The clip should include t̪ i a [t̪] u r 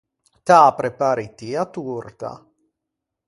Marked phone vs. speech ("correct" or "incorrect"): correct